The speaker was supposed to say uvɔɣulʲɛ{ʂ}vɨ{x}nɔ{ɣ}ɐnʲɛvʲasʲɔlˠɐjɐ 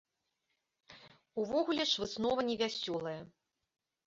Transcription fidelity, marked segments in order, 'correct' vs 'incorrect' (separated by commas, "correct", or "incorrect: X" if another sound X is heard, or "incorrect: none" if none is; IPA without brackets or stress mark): correct, incorrect: s, incorrect: v